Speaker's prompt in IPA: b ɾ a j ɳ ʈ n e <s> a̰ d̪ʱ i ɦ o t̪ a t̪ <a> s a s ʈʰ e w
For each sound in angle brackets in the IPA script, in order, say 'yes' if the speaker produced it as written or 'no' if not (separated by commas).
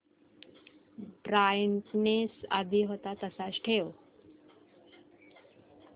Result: yes, no